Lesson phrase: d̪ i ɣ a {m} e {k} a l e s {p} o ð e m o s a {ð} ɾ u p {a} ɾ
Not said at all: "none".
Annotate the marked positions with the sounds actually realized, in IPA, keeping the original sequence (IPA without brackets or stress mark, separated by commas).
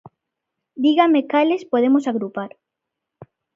m, k, p, ɣ, a